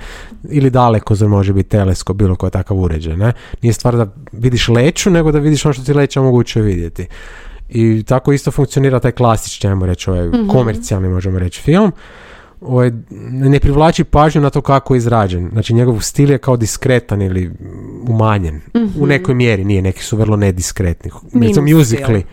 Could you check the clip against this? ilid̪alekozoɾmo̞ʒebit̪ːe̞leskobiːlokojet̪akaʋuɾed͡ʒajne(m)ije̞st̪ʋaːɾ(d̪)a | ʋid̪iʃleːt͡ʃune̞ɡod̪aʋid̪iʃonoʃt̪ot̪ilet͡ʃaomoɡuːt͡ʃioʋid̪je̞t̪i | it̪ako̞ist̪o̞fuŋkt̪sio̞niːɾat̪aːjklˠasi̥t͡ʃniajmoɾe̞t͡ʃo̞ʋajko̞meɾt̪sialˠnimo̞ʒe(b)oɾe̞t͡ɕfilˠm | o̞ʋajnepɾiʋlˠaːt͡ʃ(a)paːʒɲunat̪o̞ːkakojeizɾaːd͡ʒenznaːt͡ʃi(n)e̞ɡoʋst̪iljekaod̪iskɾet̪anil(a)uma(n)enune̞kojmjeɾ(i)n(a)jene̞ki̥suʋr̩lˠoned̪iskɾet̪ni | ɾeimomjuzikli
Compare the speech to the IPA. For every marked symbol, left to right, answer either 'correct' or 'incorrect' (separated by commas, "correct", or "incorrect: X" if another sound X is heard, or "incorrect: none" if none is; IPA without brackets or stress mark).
incorrect: n, correct, incorrect: m, incorrect: i, incorrect: ɲ, incorrect: i, incorrect: ɲ, correct, incorrect: i